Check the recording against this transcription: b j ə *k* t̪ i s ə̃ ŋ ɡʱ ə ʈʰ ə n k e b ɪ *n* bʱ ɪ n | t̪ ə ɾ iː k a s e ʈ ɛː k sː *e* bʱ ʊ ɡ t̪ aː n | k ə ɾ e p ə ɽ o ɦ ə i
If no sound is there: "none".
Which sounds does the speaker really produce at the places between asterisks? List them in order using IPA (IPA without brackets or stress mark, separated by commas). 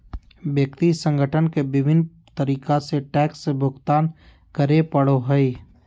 k, none, e